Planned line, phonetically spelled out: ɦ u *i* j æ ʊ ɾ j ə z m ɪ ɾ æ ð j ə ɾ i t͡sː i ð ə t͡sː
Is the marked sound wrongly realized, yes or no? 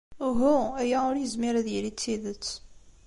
yes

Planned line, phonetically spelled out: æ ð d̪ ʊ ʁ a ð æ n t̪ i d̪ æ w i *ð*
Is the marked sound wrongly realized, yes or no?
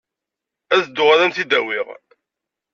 yes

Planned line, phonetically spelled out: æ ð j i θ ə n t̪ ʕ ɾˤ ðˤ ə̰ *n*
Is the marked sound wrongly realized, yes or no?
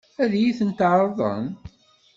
no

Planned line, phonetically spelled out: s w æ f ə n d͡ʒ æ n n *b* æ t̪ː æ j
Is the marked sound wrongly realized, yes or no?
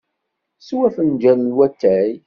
yes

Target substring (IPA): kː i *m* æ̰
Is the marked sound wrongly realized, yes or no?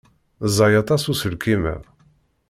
no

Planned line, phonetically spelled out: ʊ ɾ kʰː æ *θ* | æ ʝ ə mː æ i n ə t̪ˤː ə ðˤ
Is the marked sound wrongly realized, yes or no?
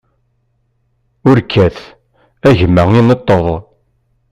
no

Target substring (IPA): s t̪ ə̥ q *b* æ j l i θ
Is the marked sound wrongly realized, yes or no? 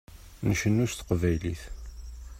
yes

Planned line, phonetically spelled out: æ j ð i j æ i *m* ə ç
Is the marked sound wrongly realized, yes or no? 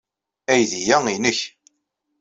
yes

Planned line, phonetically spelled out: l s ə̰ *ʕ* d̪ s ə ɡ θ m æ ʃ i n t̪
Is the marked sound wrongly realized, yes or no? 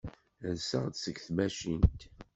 yes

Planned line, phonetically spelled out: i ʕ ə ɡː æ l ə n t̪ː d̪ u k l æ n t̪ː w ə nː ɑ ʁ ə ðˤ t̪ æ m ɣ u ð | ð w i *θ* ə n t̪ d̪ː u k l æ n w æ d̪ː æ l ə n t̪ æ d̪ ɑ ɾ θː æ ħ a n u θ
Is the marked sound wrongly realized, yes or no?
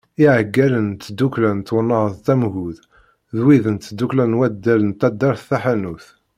yes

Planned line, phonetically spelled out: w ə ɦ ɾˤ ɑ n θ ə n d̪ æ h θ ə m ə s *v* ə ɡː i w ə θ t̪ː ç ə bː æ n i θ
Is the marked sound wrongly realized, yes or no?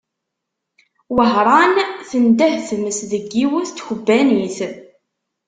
yes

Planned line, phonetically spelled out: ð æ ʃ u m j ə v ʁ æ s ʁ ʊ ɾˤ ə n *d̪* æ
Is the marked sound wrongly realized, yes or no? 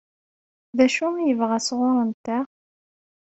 yes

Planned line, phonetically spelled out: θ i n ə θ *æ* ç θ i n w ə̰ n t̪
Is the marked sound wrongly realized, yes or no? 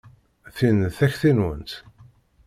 no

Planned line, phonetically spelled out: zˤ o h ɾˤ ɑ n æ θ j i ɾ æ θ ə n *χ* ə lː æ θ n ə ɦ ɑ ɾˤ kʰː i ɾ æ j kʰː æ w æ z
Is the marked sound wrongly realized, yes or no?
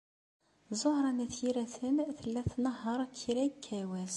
yes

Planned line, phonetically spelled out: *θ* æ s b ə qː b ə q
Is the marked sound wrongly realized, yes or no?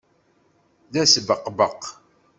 yes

